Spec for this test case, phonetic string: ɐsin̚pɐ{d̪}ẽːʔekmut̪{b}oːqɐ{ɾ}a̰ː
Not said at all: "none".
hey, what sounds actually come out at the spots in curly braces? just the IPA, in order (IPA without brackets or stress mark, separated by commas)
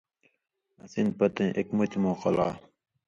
t̪, m, l